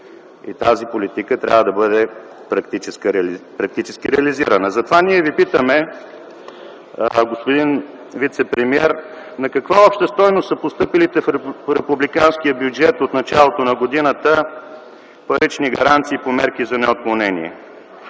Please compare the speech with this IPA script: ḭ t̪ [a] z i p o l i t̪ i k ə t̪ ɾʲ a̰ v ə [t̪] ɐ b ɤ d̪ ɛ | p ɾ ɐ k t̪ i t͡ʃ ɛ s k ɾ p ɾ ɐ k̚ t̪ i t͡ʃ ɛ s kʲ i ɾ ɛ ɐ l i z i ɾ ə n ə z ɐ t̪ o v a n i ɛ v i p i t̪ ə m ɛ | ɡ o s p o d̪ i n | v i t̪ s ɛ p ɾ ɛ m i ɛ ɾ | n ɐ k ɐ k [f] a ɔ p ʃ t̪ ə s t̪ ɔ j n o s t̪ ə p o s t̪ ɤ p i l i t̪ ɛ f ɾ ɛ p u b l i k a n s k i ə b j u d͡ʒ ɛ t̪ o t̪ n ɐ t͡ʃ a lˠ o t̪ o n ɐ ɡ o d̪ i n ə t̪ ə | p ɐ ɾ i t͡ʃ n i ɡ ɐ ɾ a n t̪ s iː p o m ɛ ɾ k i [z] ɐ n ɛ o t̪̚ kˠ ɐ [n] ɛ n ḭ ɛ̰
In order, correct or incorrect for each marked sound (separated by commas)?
correct, incorrect, incorrect, correct, correct